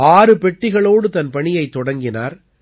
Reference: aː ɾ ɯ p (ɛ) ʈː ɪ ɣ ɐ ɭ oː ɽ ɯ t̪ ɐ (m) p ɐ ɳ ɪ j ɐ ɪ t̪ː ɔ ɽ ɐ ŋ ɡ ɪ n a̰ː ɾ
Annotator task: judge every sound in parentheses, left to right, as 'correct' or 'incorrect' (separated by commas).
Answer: correct, incorrect